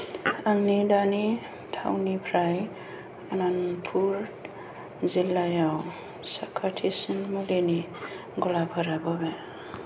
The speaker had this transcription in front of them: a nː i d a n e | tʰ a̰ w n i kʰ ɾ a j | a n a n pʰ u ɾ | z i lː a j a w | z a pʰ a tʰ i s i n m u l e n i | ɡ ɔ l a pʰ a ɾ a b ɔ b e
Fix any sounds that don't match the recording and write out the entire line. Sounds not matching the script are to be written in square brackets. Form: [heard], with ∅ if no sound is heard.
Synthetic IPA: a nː i d a n [i] | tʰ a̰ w n i [pʰ] ɾ a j | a n a n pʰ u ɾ | z i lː a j a w | [s] a [kʰ] a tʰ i s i n m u l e n i | ɡ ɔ l a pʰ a ɾ a b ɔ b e